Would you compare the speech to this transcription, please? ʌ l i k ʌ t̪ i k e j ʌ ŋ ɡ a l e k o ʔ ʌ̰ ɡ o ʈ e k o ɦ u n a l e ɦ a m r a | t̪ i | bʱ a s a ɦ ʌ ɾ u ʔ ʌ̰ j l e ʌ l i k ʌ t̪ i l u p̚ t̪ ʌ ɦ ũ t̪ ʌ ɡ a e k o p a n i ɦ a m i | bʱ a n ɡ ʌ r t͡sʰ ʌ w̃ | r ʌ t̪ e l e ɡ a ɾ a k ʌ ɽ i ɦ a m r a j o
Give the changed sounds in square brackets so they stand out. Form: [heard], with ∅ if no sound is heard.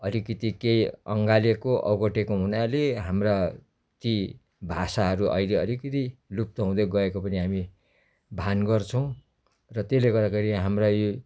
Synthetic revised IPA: ʌ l i k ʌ t̪ i k e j ʌ ŋ ɡ a l e k o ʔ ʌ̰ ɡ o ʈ e k o ɦ u n a l e ɦ a m r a | t̪ i | bʱ a s a ɦ ʌ ɾ u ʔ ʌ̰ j l e ʌ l i k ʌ t̪ i l u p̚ t̪ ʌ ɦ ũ [d̪] ʌ ɡ [ʌ] e k o p [ʌ] n i ɦ a m i | bʱ a n ɡ ʌ r t͡sʰ ʌ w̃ | r ʌ t̪ e l e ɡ [ʌ] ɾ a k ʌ [ɾ] i ɦ a m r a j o